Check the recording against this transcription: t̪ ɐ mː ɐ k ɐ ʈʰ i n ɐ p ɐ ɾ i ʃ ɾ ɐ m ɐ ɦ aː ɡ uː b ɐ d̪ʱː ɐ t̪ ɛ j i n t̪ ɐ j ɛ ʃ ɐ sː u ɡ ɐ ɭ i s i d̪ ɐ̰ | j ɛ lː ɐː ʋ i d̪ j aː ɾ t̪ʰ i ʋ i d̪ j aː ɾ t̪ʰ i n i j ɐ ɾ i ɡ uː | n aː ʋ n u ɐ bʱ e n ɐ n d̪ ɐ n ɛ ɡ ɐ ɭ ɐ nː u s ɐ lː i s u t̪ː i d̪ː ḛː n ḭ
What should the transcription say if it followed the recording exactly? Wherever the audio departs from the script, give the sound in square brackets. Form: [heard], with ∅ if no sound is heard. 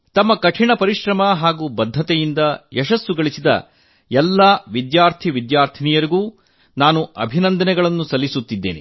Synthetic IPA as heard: t̪ ɐ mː ɐ k ɐ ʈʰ i [ɳ] ɐ p ɐ ɾ i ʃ ɾ ɐ m ɐ ɦ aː ɡ uː b ɐ d̪ʱː ɐ t̪ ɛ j i n [d̪] ɐ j ɛ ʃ ɐ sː u ɡ ɐ ɭ i s i d̪ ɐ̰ | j ɛ lː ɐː ʋ i d̪ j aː ɾ t̪ʰ i ʋ i d̪ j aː ɾ t̪ʰ i n i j ɐ ɾ i ɡ uː | n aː [∅] n u ɐ bʱ [i] n ɐ n d̪ ɐ n ɛ ɡ ɐ ɭ ɐ nː u s ɐ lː i s u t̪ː i d̪ː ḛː n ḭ